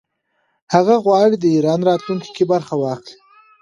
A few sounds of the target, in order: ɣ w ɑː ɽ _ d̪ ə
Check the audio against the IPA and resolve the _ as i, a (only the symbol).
i